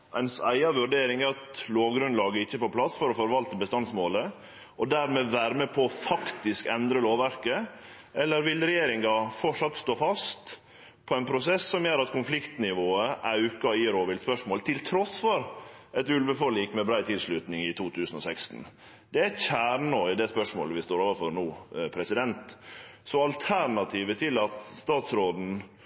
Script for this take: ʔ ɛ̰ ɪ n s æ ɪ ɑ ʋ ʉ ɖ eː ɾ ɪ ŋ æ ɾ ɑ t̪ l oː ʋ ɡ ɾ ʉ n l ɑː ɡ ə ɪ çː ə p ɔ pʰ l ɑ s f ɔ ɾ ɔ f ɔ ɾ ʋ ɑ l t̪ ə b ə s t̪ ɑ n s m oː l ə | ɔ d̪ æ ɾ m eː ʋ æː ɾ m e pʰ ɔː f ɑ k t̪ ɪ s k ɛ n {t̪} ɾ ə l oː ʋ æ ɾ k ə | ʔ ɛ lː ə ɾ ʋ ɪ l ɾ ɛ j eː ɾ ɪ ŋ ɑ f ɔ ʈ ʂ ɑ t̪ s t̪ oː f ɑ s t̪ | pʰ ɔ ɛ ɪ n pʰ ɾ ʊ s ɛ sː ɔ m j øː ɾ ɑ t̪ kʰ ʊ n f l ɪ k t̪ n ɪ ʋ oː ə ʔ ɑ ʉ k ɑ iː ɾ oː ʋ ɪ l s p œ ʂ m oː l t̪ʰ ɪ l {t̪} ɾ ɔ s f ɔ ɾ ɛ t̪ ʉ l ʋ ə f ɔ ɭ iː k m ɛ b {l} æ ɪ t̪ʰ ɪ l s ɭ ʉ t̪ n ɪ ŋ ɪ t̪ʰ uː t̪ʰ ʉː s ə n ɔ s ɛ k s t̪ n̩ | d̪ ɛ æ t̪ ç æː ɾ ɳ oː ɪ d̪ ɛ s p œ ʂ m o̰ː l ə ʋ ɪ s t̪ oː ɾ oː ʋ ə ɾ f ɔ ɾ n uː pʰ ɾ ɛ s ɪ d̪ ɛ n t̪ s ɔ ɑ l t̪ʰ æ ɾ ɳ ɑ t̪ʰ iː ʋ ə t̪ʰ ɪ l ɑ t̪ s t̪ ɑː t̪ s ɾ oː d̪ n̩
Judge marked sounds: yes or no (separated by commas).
no, no, no